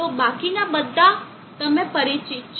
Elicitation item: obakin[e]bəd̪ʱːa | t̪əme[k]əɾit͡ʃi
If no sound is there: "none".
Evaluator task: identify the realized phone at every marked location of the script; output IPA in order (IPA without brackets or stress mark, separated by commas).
a, p